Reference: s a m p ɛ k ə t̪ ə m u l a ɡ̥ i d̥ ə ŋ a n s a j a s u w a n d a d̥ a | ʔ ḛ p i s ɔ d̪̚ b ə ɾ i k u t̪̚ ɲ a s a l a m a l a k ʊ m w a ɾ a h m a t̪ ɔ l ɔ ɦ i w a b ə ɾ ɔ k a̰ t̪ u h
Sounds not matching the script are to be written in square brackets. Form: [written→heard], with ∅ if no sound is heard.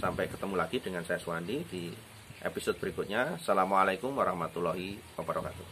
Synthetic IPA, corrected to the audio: s a m p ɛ k ə t̪ ə m u l a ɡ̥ i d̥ ə ŋ a n s a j a s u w a n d [a→i] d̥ [a→i] | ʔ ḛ p i s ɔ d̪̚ b ə ɾ i k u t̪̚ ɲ a s a l a m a l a k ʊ m w a ɾ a h m a t̪ [ɔ→u] l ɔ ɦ i w a b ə ɾ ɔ k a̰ t̪ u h